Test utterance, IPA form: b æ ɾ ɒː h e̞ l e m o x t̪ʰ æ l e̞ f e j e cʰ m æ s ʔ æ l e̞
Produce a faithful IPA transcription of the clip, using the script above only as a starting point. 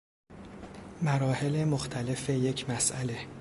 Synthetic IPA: m æ ɾ ɒː h e̞ l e m o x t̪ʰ æ l e̞ f e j e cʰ m æ s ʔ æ l e̞

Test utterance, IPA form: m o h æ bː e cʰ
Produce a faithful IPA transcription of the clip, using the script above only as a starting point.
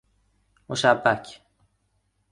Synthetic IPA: m o ʃ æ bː æ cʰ

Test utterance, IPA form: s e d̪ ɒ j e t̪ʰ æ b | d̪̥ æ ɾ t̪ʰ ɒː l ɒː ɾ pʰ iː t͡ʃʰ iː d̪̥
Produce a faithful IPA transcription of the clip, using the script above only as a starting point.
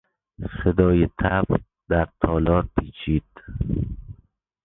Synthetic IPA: s e d̪ ɒː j e t̪ʰ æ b | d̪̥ æ ɾ t̪ʰ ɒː l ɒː ɾ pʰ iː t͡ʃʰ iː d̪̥

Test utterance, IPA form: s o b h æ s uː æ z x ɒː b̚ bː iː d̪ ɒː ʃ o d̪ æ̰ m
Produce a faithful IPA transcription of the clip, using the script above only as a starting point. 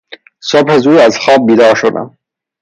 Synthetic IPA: s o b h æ z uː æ z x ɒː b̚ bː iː d̪ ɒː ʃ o d̪ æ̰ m

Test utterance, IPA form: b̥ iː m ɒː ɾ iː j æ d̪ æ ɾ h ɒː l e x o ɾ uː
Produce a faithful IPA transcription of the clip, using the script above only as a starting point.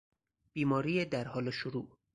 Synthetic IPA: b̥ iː m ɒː ɾ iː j e d̪ æ ɾ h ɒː l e ʃ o ɾ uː

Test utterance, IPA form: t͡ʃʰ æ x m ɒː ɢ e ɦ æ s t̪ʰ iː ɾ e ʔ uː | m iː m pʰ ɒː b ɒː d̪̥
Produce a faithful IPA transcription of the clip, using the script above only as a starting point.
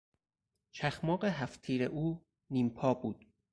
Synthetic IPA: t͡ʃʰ æ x m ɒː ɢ e ɦ æ f t̪ʰ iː ɾ e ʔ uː | n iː m pʰ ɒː b uː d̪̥

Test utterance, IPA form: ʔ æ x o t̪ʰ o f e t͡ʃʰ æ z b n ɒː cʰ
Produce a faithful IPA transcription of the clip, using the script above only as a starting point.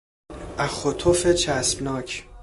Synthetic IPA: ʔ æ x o t̪ʰ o f e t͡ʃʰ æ s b n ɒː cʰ

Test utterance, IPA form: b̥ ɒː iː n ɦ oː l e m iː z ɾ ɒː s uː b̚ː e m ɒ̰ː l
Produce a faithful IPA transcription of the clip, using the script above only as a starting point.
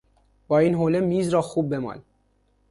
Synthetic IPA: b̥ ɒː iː n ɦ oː l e m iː z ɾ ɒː x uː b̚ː e m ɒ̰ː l

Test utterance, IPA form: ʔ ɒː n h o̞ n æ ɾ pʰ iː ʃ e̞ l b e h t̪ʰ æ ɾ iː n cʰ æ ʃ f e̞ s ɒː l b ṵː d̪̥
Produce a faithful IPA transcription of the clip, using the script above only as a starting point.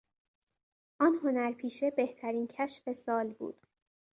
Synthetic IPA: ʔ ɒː n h o̞ n æ ɾ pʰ iː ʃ e̞ b e h t̪ʰ æ ɾ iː n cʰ æ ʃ f e̞ s ɒː l b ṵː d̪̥

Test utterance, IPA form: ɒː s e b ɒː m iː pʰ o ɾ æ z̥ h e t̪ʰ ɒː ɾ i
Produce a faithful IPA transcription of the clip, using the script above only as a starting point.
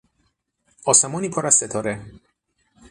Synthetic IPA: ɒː s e m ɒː n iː pʰ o ɾ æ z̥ s e t̪ʰ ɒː ɾ e

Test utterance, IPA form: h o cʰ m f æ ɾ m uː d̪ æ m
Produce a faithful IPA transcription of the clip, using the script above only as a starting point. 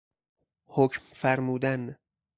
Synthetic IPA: h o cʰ m f æ ɾ m uː d̪ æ n

